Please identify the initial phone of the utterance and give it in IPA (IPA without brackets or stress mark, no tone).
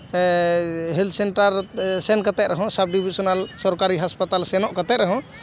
ɦ